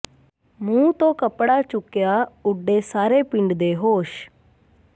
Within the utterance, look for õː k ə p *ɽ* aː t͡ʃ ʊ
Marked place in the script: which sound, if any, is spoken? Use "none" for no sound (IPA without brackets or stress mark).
ɽ